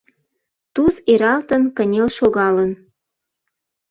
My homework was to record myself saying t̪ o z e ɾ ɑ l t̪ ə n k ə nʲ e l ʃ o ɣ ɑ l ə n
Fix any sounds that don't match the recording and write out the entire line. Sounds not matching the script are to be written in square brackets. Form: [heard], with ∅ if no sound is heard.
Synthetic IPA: t̪ [u] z e ɾ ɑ l t̪ ə n k ə nʲ e l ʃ o ɣ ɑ l ə n